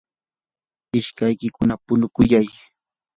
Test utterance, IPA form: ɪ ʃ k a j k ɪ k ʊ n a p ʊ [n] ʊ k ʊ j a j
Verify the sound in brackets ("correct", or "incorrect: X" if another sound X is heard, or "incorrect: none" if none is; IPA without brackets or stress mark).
correct